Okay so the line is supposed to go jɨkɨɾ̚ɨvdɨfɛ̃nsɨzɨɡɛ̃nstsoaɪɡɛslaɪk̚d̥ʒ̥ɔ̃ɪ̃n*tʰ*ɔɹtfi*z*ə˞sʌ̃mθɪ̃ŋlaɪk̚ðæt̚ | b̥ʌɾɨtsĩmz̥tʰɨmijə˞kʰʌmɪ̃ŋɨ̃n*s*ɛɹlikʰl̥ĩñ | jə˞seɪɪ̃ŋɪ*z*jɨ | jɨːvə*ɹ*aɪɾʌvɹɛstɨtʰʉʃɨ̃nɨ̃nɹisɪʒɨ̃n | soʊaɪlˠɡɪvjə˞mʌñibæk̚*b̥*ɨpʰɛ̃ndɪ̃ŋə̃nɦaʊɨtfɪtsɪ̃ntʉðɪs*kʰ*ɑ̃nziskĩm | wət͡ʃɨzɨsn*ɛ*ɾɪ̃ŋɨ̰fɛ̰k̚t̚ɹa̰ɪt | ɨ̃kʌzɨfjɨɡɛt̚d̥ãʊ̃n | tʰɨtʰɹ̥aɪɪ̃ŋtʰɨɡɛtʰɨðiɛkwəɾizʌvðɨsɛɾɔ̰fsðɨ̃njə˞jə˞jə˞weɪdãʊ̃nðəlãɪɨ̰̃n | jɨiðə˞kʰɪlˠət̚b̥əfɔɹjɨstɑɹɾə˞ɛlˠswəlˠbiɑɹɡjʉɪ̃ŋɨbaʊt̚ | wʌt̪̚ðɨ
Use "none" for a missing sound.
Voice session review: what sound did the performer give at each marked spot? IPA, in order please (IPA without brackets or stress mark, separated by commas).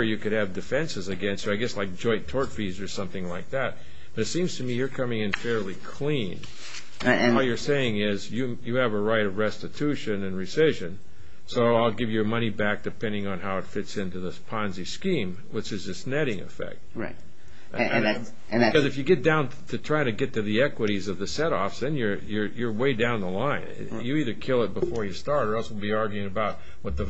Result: tʰ, z, f, z, ɹ, d̥, pʰ, ɛ